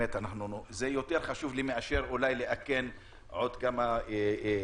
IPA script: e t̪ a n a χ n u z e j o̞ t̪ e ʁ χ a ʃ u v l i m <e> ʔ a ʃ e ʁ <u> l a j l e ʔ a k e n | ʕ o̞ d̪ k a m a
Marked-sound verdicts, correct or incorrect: correct, correct

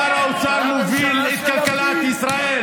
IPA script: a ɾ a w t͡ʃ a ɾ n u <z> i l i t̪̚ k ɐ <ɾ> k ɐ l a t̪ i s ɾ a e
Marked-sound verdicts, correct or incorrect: incorrect: v, incorrect: l

